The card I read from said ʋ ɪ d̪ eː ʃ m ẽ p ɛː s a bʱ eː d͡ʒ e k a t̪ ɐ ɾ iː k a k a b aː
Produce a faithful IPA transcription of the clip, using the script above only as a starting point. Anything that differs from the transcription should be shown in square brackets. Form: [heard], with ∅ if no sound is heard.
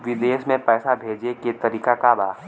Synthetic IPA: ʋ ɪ d̪ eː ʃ m ẽ p ɛː s a bʱ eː d͡ʒ e k [e] t̪ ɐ ɾ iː k a k a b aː